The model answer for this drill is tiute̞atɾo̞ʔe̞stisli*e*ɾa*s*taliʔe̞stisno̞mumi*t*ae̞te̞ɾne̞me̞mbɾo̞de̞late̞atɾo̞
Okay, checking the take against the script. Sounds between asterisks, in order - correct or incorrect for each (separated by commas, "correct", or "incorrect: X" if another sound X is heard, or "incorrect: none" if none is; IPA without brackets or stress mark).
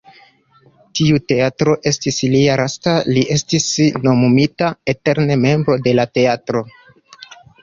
incorrect: a, correct, correct